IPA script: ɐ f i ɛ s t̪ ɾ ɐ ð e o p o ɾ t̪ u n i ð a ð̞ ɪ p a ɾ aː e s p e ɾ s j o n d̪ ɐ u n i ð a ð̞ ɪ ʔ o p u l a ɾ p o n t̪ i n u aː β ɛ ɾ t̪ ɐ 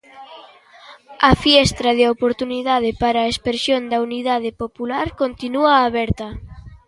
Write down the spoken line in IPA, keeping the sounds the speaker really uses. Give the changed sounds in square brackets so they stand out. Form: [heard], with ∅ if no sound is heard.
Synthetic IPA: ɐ f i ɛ s t̪ ɾ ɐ ð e o p o ɾ t̪ u n i ð a ð̞ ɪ p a ɾ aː e s p e ɾ s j o n d̪ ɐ u n i ð a ð̞ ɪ [p] o p u l a ɾ [k] o n t̪ i n u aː β ɛ ɾ t̪ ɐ